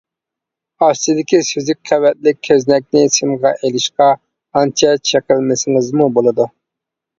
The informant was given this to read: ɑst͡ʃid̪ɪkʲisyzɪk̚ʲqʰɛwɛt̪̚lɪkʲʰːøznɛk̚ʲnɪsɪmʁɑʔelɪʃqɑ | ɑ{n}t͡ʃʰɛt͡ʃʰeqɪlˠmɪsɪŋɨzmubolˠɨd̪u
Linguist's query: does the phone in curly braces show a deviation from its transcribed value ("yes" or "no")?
no